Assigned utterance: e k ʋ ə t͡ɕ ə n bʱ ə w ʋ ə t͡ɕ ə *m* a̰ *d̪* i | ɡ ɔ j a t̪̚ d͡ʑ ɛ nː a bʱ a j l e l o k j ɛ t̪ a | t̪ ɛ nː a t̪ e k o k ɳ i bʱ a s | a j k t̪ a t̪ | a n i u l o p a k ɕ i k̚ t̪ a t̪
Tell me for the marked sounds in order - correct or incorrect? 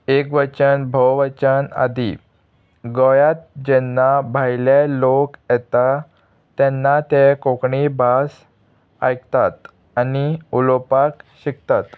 incorrect: n, correct

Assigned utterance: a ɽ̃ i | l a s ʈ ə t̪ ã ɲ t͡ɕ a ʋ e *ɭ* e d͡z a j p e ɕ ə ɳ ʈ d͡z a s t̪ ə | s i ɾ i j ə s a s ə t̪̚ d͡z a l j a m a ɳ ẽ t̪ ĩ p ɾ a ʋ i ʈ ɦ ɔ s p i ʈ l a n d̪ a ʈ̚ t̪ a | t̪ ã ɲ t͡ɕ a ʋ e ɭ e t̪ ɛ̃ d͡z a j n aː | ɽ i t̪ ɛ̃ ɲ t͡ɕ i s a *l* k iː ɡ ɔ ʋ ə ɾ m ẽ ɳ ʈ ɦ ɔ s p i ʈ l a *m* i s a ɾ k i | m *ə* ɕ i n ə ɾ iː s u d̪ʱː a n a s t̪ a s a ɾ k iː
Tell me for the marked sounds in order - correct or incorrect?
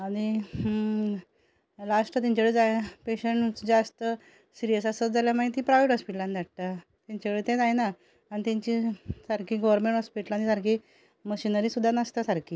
correct, incorrect: ɾ, incorrect: n, correct

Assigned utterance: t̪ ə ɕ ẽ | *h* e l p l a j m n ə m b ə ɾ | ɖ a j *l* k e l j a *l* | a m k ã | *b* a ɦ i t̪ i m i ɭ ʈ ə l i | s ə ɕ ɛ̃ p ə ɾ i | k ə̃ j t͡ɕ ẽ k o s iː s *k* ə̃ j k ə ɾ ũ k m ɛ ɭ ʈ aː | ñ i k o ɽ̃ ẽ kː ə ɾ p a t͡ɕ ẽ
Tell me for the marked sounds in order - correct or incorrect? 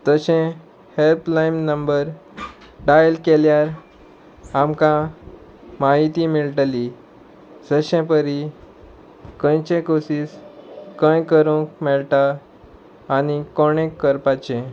correct, correct, incorrect: ɾ, incorrect: m, correct

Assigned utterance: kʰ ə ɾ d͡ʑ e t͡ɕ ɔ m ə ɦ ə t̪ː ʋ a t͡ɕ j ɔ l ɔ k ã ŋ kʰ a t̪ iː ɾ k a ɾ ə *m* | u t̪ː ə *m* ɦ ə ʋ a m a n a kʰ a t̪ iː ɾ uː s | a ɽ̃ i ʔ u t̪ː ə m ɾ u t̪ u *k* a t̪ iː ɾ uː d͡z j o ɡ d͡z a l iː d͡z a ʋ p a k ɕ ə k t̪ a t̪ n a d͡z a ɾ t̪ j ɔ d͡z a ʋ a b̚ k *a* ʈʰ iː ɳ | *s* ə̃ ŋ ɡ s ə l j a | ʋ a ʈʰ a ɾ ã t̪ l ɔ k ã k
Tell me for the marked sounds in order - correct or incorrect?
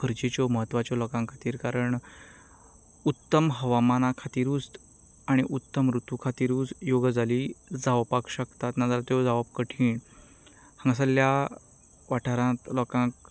incorrect: ɳ, correct, incorrect: kʰ, incorrect: ə, incorrect: h

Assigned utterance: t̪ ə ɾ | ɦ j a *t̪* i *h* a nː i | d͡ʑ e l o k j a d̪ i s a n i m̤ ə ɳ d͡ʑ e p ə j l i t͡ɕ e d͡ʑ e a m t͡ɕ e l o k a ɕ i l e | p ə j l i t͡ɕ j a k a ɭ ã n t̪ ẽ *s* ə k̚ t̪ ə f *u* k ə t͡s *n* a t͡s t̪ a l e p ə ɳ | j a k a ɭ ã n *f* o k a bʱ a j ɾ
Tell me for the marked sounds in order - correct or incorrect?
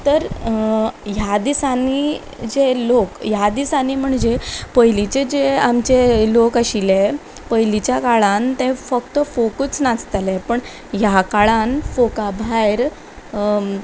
incorrect: d̪, incorrect: s, incorrect: f, incorrect: o, correct, correct

